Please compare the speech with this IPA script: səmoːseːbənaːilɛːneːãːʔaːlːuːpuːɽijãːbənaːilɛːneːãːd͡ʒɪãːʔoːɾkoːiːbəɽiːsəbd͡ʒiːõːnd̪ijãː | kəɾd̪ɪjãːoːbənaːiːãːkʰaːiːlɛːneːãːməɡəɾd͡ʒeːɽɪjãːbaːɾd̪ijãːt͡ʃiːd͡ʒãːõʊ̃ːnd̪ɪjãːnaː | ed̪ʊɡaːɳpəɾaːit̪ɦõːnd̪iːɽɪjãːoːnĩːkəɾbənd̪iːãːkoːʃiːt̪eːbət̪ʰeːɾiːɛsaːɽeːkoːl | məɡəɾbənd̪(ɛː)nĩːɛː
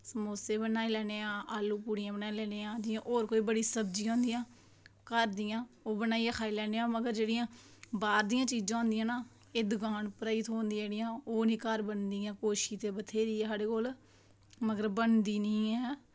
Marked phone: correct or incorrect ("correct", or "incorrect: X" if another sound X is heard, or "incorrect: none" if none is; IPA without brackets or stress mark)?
incorrect: iː